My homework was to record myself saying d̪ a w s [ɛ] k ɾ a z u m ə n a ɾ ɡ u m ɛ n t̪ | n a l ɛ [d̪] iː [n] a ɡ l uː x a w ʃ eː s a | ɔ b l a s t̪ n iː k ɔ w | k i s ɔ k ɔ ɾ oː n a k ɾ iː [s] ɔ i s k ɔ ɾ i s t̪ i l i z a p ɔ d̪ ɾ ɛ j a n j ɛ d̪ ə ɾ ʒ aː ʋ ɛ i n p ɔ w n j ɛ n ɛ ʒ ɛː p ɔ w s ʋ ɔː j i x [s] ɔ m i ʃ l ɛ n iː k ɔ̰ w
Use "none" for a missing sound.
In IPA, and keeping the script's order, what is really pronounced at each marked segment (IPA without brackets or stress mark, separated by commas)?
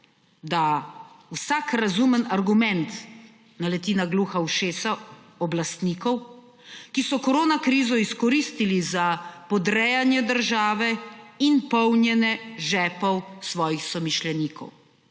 a, t̪, n, z, s